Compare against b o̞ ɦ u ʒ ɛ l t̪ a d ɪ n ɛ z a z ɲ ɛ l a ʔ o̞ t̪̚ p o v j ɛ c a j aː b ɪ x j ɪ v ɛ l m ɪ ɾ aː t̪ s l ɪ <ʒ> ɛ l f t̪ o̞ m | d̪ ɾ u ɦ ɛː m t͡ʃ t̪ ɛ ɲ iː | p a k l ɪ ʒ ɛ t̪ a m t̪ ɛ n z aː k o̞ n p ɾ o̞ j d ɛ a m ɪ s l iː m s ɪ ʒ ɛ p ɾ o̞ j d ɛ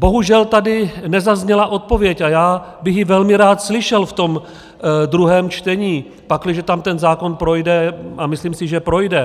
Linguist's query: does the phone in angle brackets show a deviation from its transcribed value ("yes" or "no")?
yes